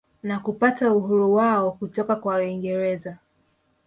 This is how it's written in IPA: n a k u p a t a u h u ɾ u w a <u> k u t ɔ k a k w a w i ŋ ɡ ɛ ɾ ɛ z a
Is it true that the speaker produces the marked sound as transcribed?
no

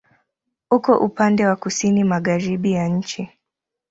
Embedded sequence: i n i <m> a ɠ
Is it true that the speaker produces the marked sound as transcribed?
yes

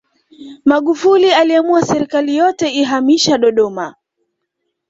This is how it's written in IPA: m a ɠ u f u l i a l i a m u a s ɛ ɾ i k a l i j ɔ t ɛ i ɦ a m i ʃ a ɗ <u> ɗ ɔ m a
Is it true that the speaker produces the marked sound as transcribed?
no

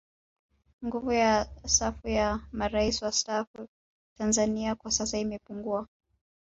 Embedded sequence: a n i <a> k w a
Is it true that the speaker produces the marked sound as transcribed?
yes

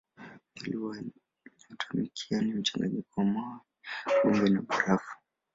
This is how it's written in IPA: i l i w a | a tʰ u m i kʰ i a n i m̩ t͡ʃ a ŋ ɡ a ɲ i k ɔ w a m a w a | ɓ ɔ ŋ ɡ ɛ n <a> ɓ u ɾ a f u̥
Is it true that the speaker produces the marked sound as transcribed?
yes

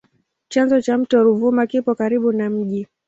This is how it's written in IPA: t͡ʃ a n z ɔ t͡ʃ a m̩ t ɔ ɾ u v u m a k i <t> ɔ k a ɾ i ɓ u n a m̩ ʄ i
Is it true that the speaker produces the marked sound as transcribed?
no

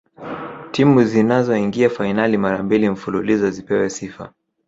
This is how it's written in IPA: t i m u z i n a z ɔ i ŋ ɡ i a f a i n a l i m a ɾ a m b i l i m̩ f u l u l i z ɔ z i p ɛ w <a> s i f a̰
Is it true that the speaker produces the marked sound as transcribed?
no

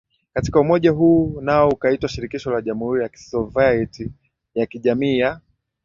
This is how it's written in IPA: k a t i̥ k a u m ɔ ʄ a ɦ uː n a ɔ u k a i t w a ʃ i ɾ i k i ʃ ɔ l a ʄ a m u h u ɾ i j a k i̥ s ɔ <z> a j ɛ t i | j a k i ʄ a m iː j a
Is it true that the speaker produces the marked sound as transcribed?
no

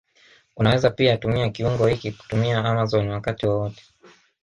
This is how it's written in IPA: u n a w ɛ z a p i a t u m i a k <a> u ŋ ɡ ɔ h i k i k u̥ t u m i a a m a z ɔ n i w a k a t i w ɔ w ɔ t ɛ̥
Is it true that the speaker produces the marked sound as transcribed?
no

